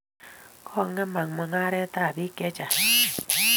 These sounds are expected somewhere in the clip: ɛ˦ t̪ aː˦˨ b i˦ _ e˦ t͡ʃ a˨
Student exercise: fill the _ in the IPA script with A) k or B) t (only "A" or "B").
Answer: A